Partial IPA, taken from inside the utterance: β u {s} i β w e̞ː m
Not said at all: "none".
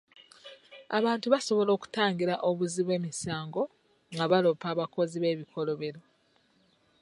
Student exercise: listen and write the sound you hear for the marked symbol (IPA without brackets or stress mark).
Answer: z